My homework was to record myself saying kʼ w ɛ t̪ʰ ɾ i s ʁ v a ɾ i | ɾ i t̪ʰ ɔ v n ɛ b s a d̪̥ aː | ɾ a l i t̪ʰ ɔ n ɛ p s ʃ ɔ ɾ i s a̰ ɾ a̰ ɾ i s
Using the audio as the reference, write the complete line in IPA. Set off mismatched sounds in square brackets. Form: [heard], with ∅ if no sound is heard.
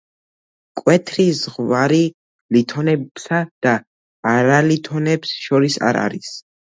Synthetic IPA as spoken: kʼ w ɛ t̪ʰ ɾ i [z] ʁ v a ɾ i | [l] i t̪ʰ ɔ [∅] n ɛ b s a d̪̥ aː | ɾ a l i t̪ʰ ɔ n ɛ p s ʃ ɔ ɾ i s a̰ ɾ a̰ ɾ i s